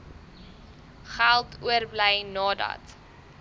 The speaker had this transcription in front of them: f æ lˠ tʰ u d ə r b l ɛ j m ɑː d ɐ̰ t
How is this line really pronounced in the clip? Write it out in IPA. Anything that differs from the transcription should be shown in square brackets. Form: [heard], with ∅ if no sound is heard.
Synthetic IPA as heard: [χ] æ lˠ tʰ u [∅] ə r b l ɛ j [n] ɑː d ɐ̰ t

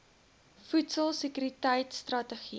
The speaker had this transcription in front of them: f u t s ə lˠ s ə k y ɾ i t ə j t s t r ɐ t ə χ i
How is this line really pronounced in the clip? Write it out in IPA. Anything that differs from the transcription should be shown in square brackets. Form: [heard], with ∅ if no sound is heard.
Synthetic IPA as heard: f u t s ə lˠ s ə k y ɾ i t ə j t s t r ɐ t ə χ i

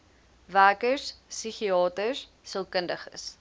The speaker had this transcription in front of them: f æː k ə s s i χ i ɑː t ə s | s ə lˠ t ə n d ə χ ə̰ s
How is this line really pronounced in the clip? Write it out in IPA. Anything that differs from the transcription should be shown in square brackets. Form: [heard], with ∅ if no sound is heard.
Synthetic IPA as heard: [v] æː k ə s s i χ i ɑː t ə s | s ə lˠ [k] ə n d ə χ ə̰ s

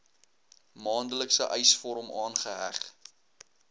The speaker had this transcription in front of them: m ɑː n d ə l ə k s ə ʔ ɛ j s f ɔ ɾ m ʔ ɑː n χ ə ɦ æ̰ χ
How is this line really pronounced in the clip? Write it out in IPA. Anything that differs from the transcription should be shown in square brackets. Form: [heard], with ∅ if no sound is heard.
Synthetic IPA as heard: m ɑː n d ə l ə k s ə ʔ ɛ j s f ɔ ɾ m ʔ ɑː n χ ə ɦ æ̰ χ

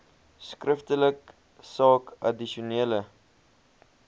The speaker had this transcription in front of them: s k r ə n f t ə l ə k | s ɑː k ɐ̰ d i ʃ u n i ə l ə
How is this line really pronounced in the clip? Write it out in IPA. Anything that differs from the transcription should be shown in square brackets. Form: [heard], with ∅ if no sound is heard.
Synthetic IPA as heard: s k r ə [∅] f t ə l ə k | s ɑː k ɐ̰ d i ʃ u n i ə l ə

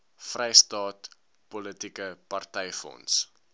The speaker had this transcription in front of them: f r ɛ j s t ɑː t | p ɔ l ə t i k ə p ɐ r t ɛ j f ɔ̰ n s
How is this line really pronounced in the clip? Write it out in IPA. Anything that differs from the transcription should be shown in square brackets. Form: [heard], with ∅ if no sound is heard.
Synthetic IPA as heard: f r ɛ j s t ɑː t | p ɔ l ə t i k ə p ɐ r t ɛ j f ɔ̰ n s

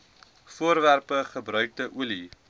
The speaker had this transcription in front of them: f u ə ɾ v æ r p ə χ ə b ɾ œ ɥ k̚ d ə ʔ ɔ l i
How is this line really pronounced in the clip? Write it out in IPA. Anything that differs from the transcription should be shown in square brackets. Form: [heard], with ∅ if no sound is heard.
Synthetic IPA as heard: f u ə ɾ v æ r p ə χ ə b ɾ œ ɥ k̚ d ə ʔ [u] l i

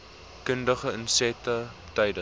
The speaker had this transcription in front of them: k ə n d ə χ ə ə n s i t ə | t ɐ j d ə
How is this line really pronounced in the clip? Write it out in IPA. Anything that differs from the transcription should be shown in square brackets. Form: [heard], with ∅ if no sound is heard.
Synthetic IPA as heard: k ə n d ə χ ə ə n s [ɛ] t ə | t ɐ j d ə

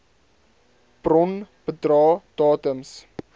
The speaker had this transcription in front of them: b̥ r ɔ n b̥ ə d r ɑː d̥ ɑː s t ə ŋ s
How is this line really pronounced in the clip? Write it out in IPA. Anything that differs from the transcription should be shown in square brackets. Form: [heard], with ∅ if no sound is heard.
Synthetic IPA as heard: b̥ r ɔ n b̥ ə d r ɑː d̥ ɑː [∅] t ə [m] s

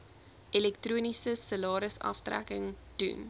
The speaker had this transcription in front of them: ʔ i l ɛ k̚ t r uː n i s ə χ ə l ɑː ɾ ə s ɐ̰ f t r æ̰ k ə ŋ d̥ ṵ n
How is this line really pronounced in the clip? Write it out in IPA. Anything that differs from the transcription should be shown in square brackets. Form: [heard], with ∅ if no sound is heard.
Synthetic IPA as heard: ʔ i l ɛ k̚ t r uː n i s ə [s] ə l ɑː ɾ ə s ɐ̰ f t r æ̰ k ə ŋ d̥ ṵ n

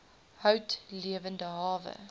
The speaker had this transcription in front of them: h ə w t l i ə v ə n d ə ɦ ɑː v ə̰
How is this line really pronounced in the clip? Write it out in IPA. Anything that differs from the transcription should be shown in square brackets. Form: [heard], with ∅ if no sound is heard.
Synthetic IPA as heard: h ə w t l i ə v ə n d ə ɦ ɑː v ə̰

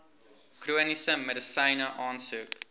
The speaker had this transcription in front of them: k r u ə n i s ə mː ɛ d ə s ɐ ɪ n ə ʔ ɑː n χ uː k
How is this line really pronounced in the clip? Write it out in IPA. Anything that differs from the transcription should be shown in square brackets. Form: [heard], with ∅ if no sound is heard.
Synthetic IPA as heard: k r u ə n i s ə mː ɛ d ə s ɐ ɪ n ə ʔ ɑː n [s] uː k

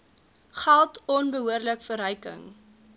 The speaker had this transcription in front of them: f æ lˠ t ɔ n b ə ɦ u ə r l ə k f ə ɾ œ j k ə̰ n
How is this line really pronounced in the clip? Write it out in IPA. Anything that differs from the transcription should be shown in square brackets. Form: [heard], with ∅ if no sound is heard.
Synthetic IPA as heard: [χ] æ lˠ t ɔ n b ə ɦ u ə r l ə k f ə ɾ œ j k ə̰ [ŋ]

